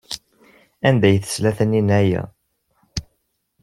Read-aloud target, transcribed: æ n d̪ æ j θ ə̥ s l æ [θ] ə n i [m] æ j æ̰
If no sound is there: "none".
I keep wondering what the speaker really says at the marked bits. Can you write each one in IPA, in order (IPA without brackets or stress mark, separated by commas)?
θ, n